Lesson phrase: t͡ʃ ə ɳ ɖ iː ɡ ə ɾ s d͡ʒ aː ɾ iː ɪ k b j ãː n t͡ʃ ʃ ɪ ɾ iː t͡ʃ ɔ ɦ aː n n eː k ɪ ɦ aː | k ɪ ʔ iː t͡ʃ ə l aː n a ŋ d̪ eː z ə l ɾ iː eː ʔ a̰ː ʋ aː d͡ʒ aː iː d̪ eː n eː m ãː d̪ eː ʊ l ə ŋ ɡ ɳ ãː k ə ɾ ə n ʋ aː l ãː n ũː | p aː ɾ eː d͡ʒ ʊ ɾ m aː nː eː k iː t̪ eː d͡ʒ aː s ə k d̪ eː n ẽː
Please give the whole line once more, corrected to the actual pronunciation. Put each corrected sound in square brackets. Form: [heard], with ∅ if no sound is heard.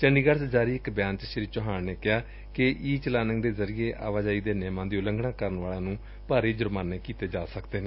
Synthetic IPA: t͡ʃ ə ɳ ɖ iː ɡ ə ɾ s d͡ʒ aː ɾ iː ɪ k b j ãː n t͡ʃ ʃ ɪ ɾ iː t͡ʃ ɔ ɦ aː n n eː k ɪ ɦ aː | k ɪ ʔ iː t͡ʃ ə l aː n [ə] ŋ d̪ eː z ə [∅] ɾ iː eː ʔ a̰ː ʋ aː d͡ʒ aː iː d̪ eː n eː m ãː d̪ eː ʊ l ə ŋ ɡ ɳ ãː k ə ɾ ə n ʋ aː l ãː n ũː | p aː ɾ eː d͡ʒ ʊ ɾ m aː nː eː k iː t̪ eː d͡ʒ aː s ə k d̪ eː n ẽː